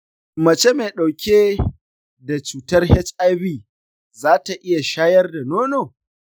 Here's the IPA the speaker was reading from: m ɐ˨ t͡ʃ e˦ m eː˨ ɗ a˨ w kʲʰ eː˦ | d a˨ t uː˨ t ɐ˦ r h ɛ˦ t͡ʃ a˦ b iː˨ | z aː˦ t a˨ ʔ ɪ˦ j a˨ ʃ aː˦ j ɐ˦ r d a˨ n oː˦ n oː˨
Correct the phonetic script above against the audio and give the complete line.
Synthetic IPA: m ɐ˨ t͡ʃ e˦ m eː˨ ɗ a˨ w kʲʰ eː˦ | d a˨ t͡ʃ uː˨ t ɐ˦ r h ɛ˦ t͡ʃ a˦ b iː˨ | z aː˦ t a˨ ʔ ɪ˦ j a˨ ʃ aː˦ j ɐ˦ r d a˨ n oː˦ n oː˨

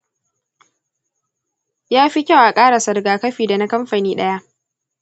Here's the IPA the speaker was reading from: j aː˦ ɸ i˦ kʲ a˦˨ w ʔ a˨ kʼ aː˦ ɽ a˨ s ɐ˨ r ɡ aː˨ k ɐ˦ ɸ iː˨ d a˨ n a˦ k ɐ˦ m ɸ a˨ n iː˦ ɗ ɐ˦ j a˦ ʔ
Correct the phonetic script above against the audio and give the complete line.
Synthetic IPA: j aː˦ ɸ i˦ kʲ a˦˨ w ʔ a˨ kʼ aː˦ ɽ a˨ s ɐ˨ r ɡ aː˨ k ɐ˦ ɸ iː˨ d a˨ n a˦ k ɐ˦ m ɸ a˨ n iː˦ ɗ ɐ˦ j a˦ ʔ

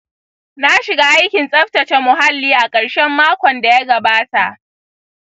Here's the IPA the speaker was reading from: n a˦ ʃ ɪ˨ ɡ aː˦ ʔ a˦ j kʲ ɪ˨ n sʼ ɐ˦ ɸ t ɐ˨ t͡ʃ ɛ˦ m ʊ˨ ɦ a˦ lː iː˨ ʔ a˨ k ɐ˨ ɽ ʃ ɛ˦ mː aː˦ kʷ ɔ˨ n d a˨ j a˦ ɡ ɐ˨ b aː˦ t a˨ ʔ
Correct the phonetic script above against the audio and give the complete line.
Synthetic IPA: n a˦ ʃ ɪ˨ ɡ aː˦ ʔ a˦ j kʲ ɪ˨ n sʼ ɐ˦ ɸ t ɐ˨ t͡ʃ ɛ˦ m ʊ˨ ɦ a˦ lː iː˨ ʔ a˨ kʼ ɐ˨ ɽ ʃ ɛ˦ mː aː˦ kʷ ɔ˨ n d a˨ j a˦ ɡ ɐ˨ b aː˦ t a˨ ʔ

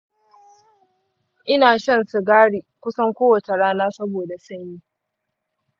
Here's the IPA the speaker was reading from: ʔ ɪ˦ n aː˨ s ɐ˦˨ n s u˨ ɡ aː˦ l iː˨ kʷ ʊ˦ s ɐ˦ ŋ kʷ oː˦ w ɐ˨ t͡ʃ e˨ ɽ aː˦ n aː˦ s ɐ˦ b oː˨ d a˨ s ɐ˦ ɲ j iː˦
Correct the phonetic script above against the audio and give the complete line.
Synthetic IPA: ʔ ɪ˦ n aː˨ ʃ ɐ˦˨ n s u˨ ɡ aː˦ ɽ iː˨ kʷ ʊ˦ s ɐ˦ ŋ kʷ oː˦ w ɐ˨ t͡ʃ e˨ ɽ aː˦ n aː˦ s ɐ˦ b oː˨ d a˨ s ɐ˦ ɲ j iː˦

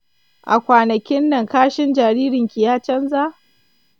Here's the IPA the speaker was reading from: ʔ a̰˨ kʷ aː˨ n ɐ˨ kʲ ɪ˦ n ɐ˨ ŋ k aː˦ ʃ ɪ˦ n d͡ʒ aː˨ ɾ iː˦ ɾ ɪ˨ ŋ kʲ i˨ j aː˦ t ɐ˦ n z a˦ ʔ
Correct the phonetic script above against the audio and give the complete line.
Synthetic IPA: ʔ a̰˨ kʷ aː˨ n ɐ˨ kʲ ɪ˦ nː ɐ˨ ŋ k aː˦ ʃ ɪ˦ n d͡ʒ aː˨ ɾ iː˦ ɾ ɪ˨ ŋ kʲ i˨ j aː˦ t͡ʃ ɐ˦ n z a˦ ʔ

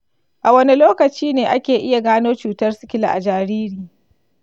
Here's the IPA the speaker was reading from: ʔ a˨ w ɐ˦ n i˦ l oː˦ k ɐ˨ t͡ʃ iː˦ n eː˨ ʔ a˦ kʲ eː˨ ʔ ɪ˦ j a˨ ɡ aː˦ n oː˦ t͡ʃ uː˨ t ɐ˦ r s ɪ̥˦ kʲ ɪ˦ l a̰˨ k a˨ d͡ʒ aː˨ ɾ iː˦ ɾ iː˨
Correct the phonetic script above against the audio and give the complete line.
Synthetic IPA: ʔ a˨ w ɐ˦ n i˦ l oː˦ k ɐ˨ t͡ʃ iː˦ n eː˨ ʔ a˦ kʲ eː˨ ʔ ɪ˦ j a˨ ɡ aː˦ n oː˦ t͡ʃ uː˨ t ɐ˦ r s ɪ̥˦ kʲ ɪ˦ l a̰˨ ʔ a˨ d͡ʒ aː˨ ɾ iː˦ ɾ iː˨

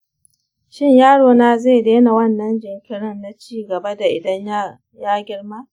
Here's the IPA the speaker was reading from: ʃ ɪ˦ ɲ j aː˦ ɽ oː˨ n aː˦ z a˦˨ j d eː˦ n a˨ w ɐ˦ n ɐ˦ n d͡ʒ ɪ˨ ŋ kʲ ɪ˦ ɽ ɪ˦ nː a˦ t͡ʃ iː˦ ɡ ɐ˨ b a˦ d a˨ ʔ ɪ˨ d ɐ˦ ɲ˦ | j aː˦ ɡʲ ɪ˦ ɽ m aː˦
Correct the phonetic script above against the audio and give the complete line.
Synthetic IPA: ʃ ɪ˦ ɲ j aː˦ ɽ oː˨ n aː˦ z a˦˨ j d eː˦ n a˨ w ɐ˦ nː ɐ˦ n d͡ʒ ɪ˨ ŋ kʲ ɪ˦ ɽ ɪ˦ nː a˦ t͡ʃ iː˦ ɡ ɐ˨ b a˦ d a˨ ʔ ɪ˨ d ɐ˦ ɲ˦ | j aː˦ ɡʲ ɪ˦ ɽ m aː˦

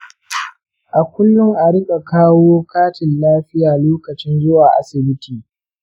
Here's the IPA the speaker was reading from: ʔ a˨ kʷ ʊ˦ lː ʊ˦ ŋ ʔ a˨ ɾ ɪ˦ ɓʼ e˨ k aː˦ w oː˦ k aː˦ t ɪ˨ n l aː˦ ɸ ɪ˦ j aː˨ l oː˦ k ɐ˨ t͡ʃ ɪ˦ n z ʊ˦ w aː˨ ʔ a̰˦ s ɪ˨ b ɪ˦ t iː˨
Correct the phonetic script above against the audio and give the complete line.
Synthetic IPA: ʔ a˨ kʷ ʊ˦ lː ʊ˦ ŋ ʔ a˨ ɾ ɪ˦ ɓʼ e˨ k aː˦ w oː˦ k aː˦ t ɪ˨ n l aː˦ ɸ ɪ˦ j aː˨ l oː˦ k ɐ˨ t͡ʃ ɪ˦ n z ʊ˦ w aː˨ ʔ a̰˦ s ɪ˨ b ɪ˦ t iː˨

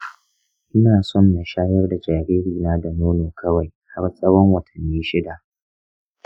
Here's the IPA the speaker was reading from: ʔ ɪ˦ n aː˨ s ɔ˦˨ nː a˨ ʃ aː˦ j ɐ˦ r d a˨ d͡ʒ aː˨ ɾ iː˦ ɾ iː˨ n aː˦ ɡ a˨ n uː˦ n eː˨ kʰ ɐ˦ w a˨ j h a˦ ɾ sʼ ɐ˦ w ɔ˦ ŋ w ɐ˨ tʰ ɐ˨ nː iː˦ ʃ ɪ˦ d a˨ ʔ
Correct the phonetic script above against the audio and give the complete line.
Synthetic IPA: ʔ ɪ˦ n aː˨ s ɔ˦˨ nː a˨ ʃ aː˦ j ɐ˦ r d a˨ d͡ʒ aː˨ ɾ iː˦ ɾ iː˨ n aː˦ d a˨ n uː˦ n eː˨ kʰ ɐ˦ w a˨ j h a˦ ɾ sʼ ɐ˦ w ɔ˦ ŋ w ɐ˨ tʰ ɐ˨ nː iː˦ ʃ ɪ˦ d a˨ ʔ

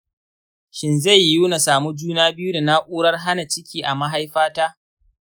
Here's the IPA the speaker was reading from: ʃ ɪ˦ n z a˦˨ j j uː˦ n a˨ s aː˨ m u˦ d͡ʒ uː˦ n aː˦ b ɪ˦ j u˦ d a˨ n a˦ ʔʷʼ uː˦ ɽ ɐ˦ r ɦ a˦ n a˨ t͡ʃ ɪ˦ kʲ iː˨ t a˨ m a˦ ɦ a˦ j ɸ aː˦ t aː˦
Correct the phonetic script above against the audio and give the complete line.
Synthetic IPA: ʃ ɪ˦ n z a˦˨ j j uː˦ n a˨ s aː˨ m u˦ d͡ʒ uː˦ n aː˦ b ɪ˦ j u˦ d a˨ n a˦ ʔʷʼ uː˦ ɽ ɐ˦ r ɦ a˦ n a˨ t͡ʃ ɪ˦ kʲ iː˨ ʔ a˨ m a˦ ɦ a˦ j ɸ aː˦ t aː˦

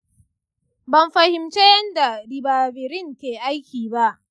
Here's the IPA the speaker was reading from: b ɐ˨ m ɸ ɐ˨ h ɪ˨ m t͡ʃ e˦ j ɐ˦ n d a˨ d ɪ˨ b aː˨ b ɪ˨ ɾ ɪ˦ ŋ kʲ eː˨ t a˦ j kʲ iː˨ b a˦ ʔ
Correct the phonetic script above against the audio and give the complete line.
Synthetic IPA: b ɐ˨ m ɸ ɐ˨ h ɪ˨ m t͡ʃ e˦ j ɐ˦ n d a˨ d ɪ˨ b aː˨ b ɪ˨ ɾ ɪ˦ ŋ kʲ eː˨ ʔ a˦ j kʲ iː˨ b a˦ ʔ

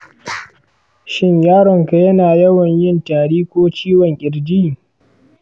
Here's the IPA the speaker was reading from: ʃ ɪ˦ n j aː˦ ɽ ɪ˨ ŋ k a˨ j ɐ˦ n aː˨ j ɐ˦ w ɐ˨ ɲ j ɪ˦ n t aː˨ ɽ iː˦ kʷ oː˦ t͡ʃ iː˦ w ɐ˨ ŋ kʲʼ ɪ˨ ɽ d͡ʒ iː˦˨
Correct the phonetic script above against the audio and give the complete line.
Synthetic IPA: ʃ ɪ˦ ɲ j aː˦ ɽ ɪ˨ ŋ k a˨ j ɐ˦ n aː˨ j ɐ˦ w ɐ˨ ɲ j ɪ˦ n t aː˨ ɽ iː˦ kʷ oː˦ t͡ʃ iː˦ w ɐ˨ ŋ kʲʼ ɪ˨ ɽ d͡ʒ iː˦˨

